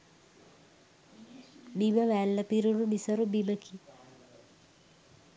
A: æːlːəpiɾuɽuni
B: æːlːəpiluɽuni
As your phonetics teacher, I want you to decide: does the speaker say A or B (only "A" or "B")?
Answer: A